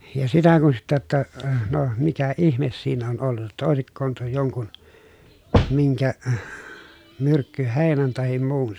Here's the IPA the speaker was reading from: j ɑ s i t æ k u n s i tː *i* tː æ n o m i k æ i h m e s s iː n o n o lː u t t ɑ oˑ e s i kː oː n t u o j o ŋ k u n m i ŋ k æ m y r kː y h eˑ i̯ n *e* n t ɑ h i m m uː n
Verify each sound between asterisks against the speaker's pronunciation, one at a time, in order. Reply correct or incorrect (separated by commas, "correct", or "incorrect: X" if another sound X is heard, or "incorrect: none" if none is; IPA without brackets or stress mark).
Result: incorrect: æ, incorrect: æ